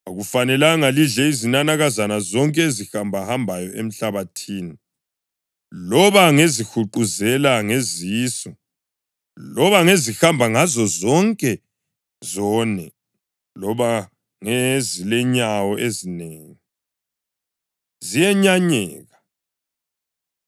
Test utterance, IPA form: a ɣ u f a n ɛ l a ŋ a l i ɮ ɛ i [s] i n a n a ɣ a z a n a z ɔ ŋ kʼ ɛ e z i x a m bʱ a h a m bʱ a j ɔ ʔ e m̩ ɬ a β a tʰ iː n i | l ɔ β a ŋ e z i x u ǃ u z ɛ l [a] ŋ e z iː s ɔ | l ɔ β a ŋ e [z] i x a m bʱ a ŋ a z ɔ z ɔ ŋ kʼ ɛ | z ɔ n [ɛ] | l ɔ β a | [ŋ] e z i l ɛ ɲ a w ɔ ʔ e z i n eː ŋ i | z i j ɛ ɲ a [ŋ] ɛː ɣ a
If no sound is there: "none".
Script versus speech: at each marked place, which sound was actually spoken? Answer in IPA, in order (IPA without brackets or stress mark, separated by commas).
z, a, z, ɛ, ŋ, ɲ